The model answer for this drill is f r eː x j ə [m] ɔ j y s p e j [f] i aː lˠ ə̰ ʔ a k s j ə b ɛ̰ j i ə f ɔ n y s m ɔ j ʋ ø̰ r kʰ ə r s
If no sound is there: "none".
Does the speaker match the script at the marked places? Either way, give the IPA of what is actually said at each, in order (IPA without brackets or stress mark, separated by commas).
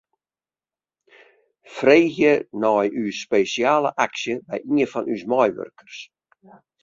n, s